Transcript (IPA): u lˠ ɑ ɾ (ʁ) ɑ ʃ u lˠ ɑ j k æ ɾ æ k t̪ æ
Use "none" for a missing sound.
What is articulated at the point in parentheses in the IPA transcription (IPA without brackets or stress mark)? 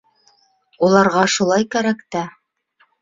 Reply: ʁ